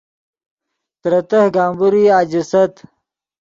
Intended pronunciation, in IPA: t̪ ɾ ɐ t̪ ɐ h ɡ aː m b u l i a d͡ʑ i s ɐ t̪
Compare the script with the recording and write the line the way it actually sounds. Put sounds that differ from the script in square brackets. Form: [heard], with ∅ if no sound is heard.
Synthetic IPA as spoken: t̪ ɾ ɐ t̪ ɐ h ɡ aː m b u [ɾ] i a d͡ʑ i s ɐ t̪